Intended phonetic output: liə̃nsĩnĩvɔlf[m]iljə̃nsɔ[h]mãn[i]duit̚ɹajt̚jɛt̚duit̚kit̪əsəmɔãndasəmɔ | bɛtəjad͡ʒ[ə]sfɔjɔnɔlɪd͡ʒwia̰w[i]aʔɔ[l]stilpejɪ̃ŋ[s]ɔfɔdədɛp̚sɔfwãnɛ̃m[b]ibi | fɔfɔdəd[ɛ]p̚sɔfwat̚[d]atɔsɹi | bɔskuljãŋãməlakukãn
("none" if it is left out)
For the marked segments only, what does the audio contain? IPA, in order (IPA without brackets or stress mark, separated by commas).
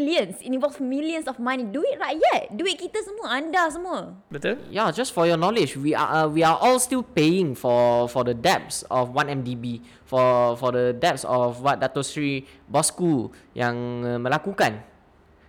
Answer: m, f, i, a, i, l, f, d, ɛ, d